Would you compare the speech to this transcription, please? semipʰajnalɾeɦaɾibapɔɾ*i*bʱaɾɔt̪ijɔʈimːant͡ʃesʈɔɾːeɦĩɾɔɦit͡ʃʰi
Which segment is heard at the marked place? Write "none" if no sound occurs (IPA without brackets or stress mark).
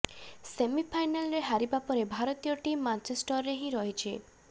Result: e